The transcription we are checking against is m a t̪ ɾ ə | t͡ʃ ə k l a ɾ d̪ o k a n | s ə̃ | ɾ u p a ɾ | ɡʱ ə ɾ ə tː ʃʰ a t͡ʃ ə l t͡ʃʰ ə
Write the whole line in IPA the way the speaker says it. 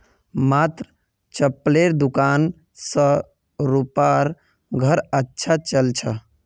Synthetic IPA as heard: m a t̪ ɾ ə | t͡ʃ ə p l e ɾ d̪ u k a n | s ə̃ | ɾ u p a ɾ | ɡʱ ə ɾ ə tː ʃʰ a t͡ʃ ə l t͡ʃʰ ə